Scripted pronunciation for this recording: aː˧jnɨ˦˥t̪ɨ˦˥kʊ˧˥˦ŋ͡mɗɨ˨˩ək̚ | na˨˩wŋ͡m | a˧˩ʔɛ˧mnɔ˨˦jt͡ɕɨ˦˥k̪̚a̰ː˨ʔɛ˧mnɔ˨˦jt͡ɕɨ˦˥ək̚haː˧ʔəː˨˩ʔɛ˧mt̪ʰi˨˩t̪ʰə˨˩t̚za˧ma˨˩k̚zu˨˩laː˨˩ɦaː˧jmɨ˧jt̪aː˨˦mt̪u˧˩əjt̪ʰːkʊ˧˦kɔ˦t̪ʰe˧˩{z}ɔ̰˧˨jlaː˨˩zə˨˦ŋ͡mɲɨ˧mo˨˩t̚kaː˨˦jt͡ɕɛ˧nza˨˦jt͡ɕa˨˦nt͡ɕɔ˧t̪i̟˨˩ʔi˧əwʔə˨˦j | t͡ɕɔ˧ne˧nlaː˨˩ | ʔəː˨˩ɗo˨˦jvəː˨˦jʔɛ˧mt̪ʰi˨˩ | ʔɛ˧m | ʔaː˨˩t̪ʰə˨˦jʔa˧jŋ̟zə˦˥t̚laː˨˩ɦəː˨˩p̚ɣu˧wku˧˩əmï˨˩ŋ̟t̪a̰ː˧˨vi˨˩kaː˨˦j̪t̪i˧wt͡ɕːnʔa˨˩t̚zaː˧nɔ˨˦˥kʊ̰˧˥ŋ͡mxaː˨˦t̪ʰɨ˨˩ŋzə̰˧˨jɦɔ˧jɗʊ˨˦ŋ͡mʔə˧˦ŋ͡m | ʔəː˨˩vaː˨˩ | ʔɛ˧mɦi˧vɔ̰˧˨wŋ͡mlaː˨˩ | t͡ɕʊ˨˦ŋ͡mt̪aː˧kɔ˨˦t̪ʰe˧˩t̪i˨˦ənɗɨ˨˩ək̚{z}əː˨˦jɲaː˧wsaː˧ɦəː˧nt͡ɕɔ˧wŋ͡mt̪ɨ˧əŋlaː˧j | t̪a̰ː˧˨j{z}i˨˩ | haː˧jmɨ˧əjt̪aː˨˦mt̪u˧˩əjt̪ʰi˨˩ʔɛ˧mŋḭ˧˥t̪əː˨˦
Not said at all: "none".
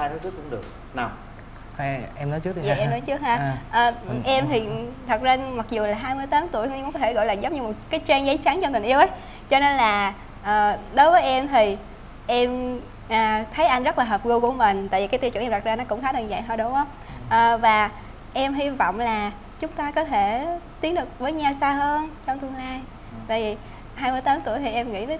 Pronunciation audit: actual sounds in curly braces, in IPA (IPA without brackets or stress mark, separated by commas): ɣ, v, v